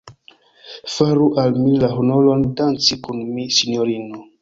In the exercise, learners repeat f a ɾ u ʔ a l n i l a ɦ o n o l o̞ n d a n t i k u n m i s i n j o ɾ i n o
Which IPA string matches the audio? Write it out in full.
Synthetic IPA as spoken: f a ɾ u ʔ a l m i l a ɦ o n o l o̞ n d a n t͡s i k u n m i s i n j o ɾ i n o